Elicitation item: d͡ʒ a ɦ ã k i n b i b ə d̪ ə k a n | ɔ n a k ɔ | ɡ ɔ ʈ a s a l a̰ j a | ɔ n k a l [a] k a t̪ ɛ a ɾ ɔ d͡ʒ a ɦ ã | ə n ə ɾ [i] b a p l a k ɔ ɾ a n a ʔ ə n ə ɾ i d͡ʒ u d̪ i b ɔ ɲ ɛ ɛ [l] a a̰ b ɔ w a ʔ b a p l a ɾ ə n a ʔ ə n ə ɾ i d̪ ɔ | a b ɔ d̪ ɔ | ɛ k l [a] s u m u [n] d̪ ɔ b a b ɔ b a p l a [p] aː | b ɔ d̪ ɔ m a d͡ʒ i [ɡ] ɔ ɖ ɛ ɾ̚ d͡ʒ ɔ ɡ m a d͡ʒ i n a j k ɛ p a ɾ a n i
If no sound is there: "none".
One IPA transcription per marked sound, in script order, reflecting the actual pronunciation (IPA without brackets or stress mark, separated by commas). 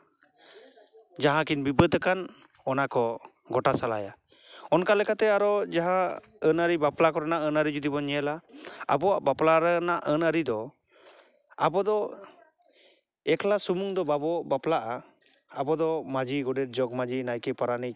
ɛ, i, l, a, ŋ, ʔ, ɡ